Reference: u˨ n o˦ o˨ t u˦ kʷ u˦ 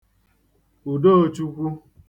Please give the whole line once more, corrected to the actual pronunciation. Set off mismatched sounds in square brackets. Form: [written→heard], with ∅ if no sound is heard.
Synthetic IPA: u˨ [n→d] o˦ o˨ [t→t͡ʃ] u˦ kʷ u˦